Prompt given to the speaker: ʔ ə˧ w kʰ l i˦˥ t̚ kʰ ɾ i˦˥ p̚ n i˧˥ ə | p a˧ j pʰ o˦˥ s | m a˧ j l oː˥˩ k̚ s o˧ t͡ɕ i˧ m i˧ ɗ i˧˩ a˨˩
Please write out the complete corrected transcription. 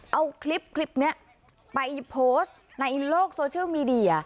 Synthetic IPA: ʔ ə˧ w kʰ l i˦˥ p̚ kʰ l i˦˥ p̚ n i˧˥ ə | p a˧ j pʰ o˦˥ s | n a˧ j l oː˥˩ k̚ s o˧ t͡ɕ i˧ m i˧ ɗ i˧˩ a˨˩